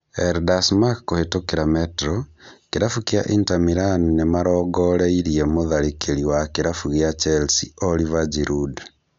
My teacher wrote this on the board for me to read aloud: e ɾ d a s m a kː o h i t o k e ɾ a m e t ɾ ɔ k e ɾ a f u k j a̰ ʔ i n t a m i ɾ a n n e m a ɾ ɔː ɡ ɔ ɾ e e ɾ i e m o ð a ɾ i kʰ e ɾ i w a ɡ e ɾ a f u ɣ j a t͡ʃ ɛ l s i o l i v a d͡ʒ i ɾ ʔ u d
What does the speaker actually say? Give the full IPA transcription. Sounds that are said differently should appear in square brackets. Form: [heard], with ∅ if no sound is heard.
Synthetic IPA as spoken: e ɾ d a s m a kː o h [e] t o k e ɾ a m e t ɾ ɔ k e ɾ a f u k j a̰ ʔ i n t a m i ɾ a n n e m a ɾ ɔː ɡ ɔ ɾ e [i] ɾ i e m o ð a ɾ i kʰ e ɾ i w a [k] e ɾ a f u ɣ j a t͡ʃ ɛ l s i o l i v a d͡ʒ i ɾ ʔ u d